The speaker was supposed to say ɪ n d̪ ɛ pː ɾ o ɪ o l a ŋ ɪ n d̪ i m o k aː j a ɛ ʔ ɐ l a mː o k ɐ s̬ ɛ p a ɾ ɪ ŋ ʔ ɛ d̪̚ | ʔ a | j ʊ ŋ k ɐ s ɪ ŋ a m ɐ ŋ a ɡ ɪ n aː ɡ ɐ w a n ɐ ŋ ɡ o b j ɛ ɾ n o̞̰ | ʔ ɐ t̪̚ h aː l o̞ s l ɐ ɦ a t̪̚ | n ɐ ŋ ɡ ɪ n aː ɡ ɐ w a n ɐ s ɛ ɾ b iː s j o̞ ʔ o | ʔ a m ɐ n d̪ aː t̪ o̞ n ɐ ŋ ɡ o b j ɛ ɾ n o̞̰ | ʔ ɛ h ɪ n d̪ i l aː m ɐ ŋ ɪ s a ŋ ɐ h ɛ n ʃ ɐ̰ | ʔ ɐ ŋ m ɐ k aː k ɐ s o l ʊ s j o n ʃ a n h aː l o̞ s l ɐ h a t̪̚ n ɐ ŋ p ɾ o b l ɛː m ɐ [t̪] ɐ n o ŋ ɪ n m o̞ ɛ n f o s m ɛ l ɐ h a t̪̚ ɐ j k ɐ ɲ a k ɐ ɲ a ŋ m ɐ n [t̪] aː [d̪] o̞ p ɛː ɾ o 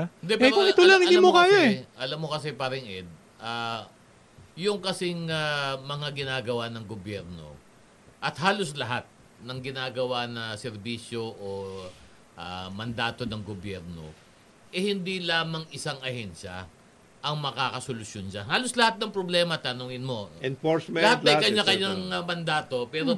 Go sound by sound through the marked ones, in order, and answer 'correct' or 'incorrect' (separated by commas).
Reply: correct, incorrect, incorrect